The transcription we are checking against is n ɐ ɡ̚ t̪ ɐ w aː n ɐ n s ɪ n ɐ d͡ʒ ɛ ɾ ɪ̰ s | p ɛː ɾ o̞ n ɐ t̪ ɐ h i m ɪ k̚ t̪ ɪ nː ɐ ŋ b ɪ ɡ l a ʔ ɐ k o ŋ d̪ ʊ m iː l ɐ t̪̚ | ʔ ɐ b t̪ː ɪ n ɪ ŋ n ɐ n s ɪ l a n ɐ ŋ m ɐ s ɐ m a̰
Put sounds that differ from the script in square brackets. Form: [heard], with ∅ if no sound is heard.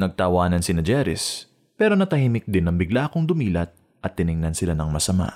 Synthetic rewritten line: n ɐ ɡ̚ t̪ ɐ w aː n ɐ n s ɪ n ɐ d͡ʒ ɛ ɾ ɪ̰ s | p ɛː ɾ o̞ n ɐ t̪ ɐ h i m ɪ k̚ [d̪] ɪ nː ɐ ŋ b ɪ ɡ l a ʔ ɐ k o ŋ d̪ ʊ m iː l ɐ t̪̚ | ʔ ɐ [∅] t̪ː ɪ n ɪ ŋ n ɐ n s ɪ l a n ɐ ŋ m ɐ s ɐ m a̰